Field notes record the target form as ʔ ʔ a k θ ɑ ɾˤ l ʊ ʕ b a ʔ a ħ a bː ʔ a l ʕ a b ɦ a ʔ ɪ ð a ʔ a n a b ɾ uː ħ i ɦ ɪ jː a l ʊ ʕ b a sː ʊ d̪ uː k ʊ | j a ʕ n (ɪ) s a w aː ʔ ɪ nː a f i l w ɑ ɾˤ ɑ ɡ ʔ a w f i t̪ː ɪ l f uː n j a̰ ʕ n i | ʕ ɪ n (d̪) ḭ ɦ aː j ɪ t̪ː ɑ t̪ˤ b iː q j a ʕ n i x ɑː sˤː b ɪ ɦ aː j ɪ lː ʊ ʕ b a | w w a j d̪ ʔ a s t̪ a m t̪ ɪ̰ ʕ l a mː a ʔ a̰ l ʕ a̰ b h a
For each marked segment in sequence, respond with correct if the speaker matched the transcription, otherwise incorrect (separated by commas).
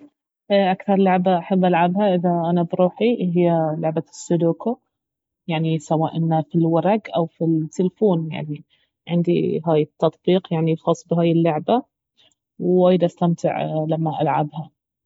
incorrect, correct